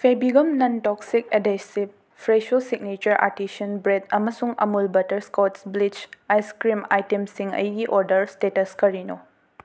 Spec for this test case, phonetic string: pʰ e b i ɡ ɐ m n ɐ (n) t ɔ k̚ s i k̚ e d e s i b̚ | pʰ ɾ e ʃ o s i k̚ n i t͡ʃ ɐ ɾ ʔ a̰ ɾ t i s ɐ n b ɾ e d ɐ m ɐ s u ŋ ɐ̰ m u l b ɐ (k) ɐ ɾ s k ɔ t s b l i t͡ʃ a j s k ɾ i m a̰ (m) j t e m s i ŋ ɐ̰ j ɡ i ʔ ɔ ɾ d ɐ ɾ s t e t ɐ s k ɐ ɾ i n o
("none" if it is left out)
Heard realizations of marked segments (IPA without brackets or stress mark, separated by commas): n, t, none